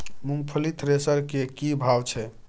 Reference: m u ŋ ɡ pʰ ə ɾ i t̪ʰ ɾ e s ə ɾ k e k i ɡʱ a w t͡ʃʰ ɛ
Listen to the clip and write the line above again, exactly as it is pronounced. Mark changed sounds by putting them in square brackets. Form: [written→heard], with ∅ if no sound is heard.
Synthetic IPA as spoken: m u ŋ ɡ pʰ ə [ɾ→l] i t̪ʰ ɾ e s ə ɾ k e k i [ɡʱ→bʱ] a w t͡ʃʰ ɛ